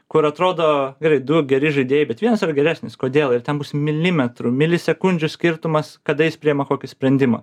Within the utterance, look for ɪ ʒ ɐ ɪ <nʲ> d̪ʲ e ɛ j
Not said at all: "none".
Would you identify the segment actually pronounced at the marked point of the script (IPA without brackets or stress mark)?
none